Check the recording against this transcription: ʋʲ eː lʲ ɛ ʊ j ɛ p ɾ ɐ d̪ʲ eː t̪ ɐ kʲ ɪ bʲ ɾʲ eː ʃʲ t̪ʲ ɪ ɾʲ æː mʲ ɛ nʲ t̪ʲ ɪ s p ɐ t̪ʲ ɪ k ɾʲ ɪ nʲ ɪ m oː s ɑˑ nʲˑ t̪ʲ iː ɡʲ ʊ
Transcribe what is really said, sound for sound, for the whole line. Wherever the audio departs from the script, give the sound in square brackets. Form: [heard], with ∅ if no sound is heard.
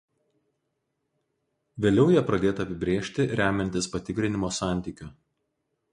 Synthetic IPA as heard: ʋʲ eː lʲ ɛ ʊ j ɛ p ɾ ɐ d̪ʲ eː t̪ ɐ [pʲ] ɪ bʲ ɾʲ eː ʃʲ t̪ʲ ɪ ɾʲ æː mʲ ɛ nʲ t̪ʲ ɪ s p ɐ t̪ʲ ɪ k ɾʲ ɪ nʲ ɪ m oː s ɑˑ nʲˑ t̪ʲ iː [kʲ] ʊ